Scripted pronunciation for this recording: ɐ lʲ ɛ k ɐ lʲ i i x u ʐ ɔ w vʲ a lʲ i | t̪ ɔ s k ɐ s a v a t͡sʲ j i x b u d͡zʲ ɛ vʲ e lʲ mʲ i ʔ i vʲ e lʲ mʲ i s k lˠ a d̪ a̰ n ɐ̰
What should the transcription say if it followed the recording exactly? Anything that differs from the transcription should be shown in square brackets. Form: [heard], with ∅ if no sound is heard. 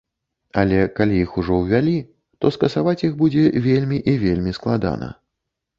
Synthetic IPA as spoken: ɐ lʲ ɛ k [a] lʲ i i x u ʐ ɔ w vʲ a lʲ i | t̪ ɔ s k ɐ s a v a t͡sʲ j i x b u d͡zʲ ɛ vʲ e lʲ mʲ i ʔ i vʲ e lʲ mʲ i s k lˠ a d̪ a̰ n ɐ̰